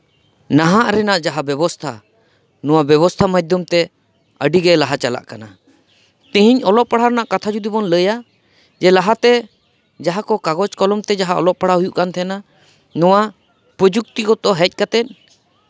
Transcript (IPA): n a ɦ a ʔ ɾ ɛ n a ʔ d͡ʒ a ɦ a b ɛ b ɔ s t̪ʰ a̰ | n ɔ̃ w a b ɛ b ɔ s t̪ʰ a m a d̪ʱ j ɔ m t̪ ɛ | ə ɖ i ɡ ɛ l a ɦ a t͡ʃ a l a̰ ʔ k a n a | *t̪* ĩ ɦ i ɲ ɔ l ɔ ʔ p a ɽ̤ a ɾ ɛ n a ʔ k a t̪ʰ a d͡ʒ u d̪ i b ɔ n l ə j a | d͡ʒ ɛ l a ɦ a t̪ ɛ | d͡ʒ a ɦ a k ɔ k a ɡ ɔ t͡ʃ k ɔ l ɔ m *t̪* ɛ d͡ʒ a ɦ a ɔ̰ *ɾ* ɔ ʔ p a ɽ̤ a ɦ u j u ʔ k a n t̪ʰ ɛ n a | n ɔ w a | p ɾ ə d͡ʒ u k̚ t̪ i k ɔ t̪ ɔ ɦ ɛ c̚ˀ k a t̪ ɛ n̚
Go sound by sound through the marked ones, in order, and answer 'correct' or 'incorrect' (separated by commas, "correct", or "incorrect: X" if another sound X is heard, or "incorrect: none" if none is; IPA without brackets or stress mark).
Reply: correct, correct, incorrect: l